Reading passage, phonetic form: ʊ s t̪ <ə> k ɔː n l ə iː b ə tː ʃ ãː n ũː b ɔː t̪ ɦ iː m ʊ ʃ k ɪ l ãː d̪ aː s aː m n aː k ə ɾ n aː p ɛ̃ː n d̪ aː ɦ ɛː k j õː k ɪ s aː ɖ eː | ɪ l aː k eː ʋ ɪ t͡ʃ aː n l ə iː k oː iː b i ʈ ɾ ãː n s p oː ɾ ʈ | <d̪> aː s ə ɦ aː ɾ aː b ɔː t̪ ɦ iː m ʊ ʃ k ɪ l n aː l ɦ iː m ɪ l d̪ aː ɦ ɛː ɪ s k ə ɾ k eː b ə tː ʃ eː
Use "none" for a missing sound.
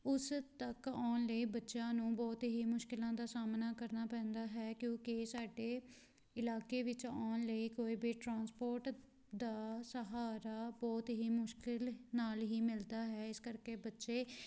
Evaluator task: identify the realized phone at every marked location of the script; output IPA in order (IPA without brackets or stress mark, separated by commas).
ə, d̪